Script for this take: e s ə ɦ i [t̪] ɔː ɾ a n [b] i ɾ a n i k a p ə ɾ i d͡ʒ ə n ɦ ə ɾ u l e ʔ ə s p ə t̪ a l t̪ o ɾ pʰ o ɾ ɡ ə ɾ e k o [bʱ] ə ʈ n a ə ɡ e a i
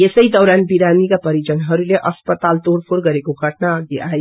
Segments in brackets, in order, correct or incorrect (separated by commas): incorrect, correct, incorrect